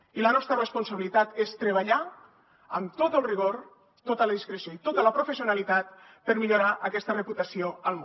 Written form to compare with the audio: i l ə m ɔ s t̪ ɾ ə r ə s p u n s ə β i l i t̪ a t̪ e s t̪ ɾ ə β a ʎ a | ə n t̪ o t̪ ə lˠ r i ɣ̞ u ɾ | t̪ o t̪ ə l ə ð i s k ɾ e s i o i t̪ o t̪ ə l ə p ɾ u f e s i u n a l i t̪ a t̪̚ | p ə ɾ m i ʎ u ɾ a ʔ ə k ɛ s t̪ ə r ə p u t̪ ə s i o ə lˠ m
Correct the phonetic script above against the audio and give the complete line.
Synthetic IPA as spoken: i l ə n ɔ s t̪ ɾ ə r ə s p u n s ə β i l i t̪ a t̪ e s t̪ ɾ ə β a ʎ a | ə m t̪ o t̪ ə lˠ r i ɣ̞ o ɾ | t̪ o t̪ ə l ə ð i s k ɾ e s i o i t̪ o t̪ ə l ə p ɾ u f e s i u n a l i t̪ a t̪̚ | p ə ɾ m i ʎ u ɾ a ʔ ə k ɛ s t̪ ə r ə p u t̪ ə s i o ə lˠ m